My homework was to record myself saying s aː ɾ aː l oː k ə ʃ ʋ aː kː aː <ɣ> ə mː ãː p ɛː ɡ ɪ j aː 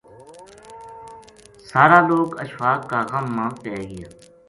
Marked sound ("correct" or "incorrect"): correct